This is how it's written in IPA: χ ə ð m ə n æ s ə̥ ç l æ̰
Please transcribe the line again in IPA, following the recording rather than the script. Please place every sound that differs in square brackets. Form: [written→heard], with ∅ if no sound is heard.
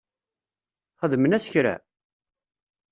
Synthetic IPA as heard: χ ə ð m ə n æ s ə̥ ç [l→ɾ] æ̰